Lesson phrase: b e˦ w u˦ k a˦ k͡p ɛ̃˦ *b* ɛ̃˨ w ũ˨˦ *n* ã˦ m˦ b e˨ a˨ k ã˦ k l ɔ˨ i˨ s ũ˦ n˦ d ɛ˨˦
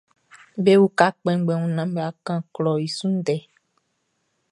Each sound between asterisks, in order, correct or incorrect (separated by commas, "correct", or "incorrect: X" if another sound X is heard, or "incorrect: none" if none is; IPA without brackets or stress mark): incorrect: ɡ͡b, correct